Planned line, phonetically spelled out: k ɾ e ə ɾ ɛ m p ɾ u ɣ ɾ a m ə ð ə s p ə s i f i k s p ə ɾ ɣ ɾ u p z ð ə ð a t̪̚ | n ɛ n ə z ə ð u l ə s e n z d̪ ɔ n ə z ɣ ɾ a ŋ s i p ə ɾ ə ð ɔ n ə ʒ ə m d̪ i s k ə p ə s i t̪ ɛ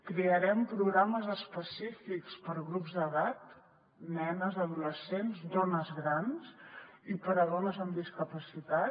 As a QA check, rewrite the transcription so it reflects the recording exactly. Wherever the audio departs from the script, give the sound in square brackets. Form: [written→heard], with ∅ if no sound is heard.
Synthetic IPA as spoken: k ɾ e ə ɾ ɛ m p ɾ u ɣ ɾ a m ə [ð→z] ə s p ə s i f i k s p ə ɾ ɣ ɾ u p z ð ə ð a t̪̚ | n ɛ n ə z ə ð u l ə s e n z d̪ ɔ n ə z ɣ ɾ a [ŋ→n] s i p ə ɾ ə ð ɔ n ə [ʒ→z] ə m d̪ i s k ə p ə s i t̪ [ɛ→a]